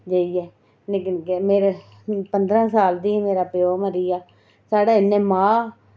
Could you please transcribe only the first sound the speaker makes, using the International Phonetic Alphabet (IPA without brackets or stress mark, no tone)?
d͡ʒ